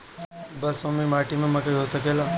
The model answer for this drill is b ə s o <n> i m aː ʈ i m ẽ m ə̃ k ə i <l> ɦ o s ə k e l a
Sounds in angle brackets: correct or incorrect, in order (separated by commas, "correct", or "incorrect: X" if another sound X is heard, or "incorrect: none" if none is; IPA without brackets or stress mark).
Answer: incorrect: m, incorrect: none